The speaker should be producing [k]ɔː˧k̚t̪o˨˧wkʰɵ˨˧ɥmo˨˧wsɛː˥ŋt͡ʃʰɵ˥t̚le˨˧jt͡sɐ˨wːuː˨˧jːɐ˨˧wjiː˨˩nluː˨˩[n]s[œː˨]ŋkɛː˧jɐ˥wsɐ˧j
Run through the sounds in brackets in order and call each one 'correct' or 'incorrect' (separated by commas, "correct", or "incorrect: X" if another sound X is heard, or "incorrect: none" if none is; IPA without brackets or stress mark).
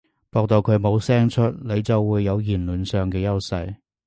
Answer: incorrect: p, correct, correct